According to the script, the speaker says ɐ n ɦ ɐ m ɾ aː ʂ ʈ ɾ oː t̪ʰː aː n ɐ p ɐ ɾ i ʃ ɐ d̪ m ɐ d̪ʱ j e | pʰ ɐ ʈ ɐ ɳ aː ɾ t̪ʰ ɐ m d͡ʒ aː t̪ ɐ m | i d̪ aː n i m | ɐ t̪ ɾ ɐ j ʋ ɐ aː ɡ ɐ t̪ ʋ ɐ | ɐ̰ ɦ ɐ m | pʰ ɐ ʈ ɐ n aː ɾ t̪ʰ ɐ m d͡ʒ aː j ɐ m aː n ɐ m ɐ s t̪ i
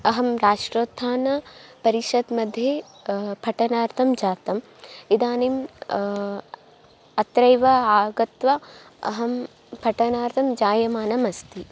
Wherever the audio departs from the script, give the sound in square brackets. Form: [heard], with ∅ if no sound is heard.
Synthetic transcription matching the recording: ɐ [∅] ɦ ɐ m ɾ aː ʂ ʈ ɾ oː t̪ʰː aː n ɐ p ɐ ɾ i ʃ ɐ d̪ m ɐ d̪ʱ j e | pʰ ɐ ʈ ɐ [n] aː ɾ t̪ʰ ɐ m d͡ʒ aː t̪ ɐ m | i d̪ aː n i m | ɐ t̪ ɾ ɐ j ʋ ɐ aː ɡ ɐ t̪ ʋ ɐ | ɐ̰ ɦ ɐ m | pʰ ɐ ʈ ɐ n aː ɾ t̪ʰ ɐ m d͡ʒ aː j ɐ m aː n ɐ m ɐ s t̪ i